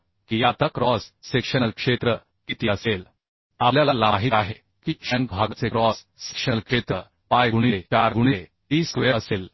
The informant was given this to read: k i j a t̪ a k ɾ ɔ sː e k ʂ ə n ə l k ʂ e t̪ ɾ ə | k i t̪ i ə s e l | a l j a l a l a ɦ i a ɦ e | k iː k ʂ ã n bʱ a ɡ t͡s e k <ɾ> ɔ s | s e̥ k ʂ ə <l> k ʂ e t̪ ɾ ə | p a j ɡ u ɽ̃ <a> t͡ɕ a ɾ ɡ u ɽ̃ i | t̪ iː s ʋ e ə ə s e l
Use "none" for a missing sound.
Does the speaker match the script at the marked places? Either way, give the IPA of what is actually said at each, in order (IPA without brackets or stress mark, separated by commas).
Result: ɾ, l, i